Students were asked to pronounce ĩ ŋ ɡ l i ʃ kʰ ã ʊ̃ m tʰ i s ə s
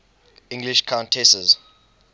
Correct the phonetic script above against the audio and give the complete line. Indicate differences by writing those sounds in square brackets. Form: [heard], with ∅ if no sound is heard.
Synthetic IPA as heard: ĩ ŋ ɡ l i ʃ kʰ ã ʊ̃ [n] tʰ [ɛ] s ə [z]

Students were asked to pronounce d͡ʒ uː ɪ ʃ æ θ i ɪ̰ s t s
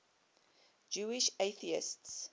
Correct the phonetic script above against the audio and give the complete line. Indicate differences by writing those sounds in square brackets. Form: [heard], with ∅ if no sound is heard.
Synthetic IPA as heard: d͡ʒ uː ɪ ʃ [e] θ i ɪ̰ s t s

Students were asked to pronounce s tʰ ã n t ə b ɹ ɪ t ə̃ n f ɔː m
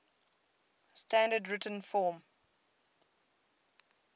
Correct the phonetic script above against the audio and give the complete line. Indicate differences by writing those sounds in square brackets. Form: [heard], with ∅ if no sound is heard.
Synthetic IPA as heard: s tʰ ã n [d] ə [d] ɹ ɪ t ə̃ n f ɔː m

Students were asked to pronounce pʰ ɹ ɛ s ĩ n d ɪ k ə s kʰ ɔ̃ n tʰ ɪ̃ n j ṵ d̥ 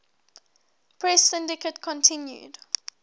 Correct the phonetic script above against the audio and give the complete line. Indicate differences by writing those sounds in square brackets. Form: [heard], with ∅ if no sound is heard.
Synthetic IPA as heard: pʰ ɹ ɛ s [ɪ̃] n d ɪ k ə [t] kʰ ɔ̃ n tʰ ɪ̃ n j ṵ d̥

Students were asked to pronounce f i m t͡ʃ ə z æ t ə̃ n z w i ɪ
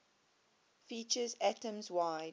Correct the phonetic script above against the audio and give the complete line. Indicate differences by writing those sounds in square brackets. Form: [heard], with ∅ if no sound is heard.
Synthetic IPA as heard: f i [∅] t͡ʃ ə z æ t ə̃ [m] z w [a] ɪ

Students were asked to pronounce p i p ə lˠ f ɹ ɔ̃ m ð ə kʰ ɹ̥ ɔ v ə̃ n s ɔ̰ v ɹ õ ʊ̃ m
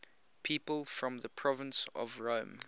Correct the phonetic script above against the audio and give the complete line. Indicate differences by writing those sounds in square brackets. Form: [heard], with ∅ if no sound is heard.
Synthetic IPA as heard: [pʰ] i p ə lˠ f ɹ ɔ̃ m ð ə [pʰ] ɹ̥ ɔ v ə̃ n s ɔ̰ v ɹ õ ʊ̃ m

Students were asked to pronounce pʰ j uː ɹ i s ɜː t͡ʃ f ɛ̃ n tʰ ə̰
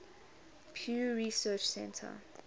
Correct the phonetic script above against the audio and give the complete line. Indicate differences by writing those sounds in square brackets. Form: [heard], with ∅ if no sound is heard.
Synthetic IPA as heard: pʰ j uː ɹ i s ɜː t͡ʃ [s] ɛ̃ n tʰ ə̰

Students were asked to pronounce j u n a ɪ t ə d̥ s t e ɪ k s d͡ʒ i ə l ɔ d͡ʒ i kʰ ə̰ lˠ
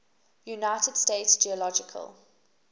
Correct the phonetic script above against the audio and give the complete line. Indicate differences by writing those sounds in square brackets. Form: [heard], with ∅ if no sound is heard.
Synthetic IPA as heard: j u n a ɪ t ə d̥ s t e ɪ [t] s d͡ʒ i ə l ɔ d͡ʒ [ɪ] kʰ ə̰ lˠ

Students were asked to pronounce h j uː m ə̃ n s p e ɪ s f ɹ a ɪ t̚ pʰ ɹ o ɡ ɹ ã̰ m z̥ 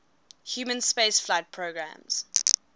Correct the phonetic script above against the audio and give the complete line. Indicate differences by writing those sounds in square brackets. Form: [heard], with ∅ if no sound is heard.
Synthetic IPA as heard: h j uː m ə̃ n s p e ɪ s f [l] a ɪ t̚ pʰ ɹ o ɡ ɹ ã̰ m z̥

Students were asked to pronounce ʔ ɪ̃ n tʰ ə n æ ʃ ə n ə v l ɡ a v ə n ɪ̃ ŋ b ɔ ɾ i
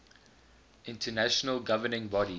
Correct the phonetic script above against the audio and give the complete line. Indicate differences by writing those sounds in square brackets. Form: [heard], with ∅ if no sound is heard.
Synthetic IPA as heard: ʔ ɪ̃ n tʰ ə n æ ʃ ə n ə [∅] l ɡ a v ə n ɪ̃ ŋ b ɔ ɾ i

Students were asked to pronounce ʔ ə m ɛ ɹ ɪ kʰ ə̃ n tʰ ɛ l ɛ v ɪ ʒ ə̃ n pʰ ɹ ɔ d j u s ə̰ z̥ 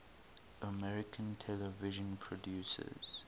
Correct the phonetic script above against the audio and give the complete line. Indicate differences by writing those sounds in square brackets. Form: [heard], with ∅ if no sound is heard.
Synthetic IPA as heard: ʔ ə m ɛ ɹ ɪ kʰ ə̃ n tʰ ɛ l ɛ v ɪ ʒ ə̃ n pʰ ɹ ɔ d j u s ə̰ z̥

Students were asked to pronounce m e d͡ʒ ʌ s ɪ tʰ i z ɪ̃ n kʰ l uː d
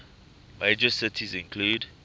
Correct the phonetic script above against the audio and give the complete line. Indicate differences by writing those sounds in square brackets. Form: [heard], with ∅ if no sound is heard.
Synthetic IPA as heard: m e d͡ʒ [ə] s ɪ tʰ i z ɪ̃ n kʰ l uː d

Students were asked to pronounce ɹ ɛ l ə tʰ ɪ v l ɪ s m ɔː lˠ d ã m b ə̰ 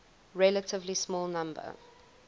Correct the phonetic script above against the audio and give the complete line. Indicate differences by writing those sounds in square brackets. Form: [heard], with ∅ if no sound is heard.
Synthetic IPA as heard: ɹ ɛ l ə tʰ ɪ v l [i] s m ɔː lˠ [n] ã m b ə̰

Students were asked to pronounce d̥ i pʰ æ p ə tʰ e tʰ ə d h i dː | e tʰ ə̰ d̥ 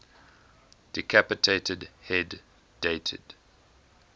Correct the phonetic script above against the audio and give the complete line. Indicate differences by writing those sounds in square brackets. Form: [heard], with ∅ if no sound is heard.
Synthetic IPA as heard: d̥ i [kʰ] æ p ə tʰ e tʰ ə d h [ɛ] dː | e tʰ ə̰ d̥

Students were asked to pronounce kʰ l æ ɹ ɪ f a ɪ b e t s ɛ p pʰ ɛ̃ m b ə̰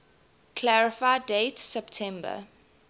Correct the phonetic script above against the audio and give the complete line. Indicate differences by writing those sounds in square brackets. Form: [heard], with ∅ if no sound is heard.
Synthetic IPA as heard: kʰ l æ ɹ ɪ f a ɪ [d] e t s ɛ p [tʰ] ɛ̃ m b ə̰

